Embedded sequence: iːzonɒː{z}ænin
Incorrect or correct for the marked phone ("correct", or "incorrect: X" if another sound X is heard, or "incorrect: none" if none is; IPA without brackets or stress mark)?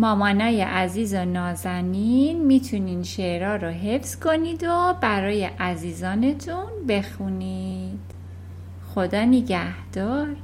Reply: correct